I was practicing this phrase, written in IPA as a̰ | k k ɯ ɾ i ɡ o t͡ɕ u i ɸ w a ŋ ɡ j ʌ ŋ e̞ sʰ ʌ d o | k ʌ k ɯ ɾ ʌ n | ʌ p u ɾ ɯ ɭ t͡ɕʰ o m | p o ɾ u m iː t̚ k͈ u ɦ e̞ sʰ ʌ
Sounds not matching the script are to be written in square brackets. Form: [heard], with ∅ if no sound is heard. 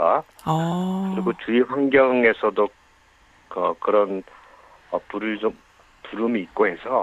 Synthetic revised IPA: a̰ | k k ɯ ɾ i ɡ o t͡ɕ u i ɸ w a ŋ ɡ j ʌ ŋ e̞ sʰ ʌ d o | k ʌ k ɯ ɾ ʌ n | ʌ p u ɾ ɯ ɭ [t͡ɕ] o m | p [u] ɾ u m iː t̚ k͈ [o] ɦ e̞ sʰ ʌ